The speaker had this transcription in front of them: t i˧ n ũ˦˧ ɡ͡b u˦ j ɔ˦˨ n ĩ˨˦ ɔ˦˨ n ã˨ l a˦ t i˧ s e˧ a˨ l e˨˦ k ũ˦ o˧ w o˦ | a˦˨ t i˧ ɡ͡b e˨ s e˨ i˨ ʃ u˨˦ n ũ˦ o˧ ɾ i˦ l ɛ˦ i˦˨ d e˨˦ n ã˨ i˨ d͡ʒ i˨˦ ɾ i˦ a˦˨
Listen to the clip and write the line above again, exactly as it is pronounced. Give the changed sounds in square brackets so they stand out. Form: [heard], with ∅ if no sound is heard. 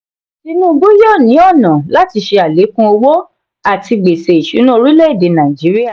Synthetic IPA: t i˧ n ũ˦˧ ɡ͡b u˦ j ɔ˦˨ n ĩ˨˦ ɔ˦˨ n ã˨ l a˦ t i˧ [ʃ] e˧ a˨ l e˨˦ k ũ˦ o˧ w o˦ | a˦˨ t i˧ ɡ͡b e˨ s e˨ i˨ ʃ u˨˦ n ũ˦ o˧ ɾ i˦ l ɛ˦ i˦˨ d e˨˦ n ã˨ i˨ d͡ʒ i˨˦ ɾ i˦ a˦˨